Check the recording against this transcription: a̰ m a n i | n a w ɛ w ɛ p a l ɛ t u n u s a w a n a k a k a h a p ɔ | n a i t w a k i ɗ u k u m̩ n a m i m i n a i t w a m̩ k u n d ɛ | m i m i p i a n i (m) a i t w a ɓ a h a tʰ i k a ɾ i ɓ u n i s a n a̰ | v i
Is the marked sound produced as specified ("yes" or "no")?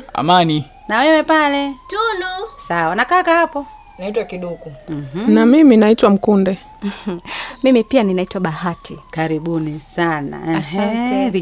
no